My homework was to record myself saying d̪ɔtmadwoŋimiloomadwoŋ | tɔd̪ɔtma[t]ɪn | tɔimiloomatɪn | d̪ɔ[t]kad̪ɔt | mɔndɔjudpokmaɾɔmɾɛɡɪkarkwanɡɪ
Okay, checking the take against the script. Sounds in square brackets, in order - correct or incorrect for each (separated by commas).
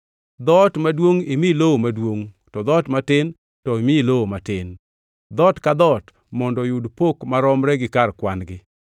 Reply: correct, correct